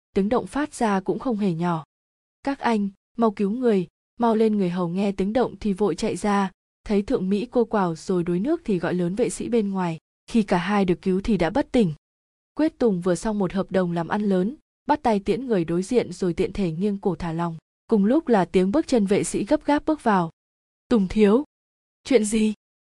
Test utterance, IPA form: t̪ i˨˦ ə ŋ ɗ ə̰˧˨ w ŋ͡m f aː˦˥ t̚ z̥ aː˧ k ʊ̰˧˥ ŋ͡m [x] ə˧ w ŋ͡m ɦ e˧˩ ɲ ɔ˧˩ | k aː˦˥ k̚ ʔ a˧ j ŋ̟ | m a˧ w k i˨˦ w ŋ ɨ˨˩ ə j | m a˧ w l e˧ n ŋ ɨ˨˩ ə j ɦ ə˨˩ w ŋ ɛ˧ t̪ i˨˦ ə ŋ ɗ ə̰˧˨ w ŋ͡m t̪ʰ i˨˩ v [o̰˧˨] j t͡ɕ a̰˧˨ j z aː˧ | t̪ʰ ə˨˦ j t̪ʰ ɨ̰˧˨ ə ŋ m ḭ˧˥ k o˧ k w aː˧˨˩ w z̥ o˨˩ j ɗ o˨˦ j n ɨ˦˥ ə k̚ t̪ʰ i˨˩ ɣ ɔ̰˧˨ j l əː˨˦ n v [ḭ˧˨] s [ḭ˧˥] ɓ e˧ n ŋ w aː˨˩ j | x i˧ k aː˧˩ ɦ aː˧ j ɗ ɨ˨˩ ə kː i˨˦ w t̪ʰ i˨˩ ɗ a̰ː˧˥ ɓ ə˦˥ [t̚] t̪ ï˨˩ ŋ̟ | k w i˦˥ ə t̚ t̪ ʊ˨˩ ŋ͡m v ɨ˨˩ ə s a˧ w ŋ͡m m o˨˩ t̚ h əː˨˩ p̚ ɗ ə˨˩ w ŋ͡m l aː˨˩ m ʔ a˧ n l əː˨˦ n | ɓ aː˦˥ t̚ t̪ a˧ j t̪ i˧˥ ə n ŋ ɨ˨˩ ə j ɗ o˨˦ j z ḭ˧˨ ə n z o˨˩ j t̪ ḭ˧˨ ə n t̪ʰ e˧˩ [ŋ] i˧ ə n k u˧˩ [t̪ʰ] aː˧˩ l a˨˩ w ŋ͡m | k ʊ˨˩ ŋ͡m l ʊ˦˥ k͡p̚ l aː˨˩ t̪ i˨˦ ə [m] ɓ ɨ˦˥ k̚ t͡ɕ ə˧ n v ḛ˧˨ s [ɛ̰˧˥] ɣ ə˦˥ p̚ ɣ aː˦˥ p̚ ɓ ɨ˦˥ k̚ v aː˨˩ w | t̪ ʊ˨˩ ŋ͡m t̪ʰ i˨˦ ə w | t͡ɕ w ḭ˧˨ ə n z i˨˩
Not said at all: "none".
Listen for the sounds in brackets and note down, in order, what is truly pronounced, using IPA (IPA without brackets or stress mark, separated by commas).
x, o̰˧˨, ḛ˧˨, ḭ˧˥, t̚, ŋ, t̪ʰ, ŋ, ḭ˧˥